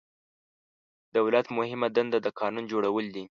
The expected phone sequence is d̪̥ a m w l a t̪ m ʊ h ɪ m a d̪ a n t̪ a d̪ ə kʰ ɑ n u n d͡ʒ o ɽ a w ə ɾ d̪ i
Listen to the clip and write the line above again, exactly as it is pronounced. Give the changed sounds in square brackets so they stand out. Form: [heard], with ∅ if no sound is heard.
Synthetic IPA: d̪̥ a [∅] w l a t̪ m ʊ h ɪ m a d̪ a n [d̪] a d̪ ə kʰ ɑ n u n d͡ʒ o ɽ a w ə [l] d̪ i